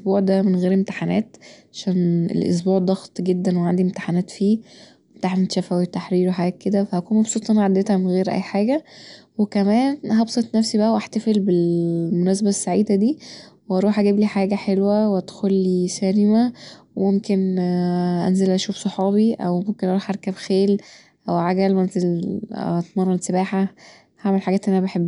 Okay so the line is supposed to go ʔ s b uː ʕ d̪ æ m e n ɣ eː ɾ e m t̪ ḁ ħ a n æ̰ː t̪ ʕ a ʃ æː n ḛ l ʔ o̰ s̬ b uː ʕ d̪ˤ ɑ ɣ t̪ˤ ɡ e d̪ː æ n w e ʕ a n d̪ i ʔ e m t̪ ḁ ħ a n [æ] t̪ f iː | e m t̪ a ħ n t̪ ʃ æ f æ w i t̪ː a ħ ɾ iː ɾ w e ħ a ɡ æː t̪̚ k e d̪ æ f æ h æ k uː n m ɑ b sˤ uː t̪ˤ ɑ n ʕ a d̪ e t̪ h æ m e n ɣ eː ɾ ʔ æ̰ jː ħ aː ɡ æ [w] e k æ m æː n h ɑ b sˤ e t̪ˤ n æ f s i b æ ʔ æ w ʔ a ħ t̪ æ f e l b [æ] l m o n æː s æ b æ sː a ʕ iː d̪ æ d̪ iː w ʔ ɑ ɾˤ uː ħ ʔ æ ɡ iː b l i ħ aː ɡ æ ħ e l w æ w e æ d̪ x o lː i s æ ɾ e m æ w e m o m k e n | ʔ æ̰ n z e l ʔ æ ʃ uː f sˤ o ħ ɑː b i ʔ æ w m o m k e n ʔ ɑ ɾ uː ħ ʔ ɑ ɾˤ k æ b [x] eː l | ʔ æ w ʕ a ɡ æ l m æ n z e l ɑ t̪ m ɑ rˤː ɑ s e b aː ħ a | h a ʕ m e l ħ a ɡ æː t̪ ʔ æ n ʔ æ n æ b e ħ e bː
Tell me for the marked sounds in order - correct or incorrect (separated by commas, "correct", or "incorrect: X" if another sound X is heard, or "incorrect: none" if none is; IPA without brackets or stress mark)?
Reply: incorrect: æː, correct, incorrect: e, correct